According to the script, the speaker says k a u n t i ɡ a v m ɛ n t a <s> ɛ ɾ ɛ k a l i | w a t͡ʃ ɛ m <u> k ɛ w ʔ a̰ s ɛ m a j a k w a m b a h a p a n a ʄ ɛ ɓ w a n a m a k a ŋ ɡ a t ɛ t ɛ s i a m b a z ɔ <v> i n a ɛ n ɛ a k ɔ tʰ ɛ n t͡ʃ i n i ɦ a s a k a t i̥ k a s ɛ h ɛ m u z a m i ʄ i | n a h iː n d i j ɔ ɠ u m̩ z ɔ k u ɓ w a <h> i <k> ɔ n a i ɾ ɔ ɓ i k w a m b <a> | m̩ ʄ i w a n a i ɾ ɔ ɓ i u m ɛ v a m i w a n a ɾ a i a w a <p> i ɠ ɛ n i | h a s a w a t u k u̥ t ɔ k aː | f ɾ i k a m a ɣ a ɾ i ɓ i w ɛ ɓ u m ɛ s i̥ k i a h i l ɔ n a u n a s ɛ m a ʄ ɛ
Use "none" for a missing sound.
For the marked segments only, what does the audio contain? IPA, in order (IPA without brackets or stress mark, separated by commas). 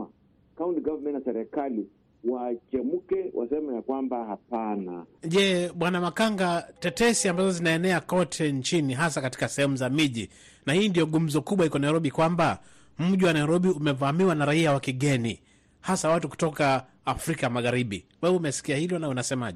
s, u, z, h, k, a, k